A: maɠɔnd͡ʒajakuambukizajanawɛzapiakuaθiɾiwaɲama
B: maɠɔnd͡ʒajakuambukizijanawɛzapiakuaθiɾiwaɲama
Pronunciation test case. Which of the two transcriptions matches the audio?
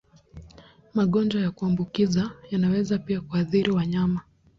A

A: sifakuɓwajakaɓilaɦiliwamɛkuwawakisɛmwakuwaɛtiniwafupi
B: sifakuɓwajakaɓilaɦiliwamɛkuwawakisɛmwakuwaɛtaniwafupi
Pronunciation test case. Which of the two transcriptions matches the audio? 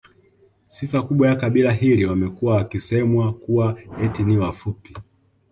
A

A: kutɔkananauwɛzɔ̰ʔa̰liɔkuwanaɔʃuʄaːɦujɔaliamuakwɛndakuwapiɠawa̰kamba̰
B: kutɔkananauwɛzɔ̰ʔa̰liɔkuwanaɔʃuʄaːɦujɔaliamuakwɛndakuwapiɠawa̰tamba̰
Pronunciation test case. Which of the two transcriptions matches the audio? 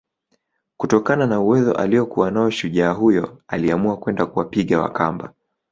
A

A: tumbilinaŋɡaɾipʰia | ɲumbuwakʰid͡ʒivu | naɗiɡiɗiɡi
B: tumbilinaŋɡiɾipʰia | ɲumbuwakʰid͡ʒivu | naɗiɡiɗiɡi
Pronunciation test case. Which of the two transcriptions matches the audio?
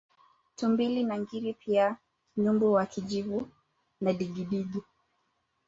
B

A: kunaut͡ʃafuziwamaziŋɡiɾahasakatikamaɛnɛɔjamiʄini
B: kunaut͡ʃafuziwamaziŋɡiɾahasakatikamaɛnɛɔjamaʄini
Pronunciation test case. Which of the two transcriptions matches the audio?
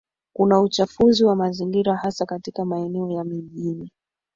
A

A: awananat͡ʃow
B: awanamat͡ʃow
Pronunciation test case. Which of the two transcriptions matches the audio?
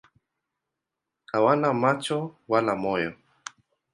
B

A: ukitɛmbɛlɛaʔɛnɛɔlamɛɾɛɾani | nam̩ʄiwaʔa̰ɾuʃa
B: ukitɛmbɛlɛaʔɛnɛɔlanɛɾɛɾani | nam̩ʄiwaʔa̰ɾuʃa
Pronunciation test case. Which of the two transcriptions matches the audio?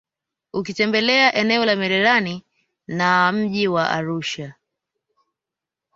A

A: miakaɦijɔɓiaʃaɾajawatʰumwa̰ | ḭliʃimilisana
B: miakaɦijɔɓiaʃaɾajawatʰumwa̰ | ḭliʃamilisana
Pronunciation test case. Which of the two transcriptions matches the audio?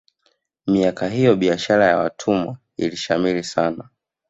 B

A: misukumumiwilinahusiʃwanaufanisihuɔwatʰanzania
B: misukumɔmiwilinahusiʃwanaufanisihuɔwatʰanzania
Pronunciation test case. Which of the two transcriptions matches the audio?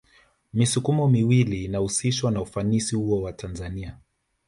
B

